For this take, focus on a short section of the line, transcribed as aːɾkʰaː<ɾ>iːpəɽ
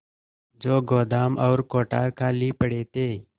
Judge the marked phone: incorrect: l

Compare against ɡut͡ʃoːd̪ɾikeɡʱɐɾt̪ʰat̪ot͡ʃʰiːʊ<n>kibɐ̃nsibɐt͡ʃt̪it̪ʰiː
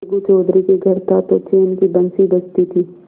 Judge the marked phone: correct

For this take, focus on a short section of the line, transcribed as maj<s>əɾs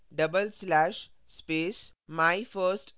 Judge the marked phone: incorrect: f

